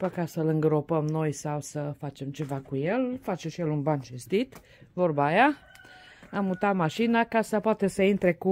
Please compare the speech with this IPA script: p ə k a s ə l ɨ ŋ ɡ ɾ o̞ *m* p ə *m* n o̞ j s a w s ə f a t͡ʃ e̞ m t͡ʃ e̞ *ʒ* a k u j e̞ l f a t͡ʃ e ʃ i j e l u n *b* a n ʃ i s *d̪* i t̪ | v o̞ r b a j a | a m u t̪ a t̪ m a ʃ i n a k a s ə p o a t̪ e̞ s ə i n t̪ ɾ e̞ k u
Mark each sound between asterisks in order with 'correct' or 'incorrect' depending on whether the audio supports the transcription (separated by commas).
incorrect, correct, incorrect, correct, incorrect